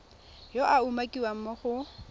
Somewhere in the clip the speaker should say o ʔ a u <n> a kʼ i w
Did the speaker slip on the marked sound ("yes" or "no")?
yes